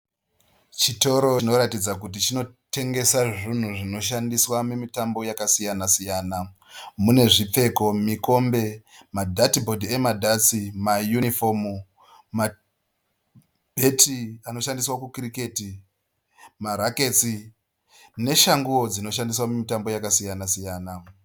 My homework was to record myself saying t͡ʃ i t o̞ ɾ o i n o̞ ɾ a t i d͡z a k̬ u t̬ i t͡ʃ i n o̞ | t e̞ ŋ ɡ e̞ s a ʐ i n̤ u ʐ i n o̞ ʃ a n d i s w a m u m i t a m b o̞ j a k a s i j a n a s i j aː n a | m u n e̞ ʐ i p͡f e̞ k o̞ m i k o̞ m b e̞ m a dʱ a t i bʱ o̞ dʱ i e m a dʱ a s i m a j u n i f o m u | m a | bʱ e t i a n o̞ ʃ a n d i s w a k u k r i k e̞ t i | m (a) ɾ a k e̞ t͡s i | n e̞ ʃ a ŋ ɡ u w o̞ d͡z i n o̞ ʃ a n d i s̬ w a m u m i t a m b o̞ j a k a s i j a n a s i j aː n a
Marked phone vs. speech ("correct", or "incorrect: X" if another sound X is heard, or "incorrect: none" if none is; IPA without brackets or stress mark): correct